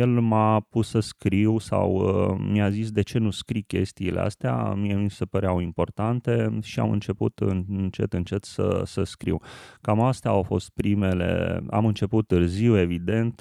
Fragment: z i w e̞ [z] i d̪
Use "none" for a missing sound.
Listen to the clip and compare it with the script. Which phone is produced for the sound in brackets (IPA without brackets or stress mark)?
v